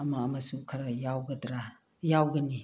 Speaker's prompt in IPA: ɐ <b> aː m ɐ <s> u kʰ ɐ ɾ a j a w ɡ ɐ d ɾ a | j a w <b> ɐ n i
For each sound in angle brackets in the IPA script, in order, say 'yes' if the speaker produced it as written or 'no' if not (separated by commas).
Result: no, yes, no